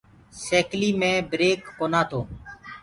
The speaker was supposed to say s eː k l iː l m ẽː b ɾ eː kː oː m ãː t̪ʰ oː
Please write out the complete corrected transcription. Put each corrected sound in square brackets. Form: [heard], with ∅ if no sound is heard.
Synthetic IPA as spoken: s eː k l iː [∅] m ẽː b ɾ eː kː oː [n] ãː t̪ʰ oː